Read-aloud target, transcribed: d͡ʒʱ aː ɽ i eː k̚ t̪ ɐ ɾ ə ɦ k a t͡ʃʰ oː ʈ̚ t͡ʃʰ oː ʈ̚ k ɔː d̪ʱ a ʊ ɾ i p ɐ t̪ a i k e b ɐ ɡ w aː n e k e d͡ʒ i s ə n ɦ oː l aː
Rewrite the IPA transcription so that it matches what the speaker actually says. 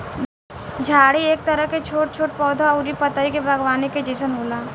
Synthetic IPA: d͡ʒʱ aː ɽ i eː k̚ t̪ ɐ ɾ ə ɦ k e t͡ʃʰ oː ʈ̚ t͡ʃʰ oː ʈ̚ p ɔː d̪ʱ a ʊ ɾ i p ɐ t̪ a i k e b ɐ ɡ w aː n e k e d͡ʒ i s ə n ɦ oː l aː